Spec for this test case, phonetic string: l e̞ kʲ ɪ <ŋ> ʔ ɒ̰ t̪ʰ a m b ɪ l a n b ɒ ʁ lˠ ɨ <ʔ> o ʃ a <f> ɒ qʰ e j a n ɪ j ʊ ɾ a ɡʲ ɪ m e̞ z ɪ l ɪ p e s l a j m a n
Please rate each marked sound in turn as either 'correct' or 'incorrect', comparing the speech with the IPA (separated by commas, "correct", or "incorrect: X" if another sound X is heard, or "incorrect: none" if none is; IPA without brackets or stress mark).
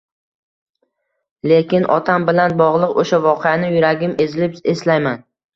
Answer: incorrect: n, incorrect: q, incorrect: v